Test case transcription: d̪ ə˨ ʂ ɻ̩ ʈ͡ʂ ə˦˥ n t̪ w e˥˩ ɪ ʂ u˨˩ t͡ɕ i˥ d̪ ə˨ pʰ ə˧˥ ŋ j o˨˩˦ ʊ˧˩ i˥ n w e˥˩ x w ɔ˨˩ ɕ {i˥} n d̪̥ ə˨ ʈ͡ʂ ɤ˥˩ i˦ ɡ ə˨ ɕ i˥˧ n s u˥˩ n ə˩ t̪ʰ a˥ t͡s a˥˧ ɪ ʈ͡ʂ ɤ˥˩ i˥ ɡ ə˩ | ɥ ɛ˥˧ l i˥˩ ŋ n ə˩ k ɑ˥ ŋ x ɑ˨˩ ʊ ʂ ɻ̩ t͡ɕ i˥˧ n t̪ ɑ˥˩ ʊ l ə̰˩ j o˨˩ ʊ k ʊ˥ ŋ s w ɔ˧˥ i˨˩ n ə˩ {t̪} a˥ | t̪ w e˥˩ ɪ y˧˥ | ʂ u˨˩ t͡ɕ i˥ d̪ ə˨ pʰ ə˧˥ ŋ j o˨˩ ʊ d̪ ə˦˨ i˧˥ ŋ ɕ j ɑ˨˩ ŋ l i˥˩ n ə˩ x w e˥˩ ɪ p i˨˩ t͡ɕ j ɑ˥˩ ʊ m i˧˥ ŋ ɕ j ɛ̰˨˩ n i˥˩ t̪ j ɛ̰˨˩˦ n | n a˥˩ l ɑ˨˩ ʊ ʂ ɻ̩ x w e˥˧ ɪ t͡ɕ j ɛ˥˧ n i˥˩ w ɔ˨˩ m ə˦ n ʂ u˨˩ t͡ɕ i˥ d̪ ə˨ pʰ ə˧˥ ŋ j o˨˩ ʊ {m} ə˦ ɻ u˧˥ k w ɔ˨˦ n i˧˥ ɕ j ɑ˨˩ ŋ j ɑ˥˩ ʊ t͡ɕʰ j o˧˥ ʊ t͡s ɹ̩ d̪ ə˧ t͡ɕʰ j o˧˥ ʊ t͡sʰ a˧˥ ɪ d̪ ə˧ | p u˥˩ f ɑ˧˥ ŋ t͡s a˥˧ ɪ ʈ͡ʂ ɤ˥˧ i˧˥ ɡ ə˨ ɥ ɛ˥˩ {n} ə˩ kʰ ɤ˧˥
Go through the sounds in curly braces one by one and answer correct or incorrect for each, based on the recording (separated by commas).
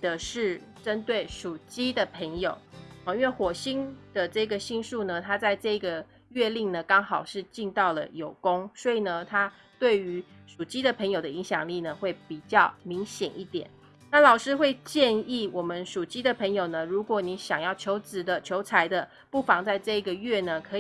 correct, incorrect, incorrect, correct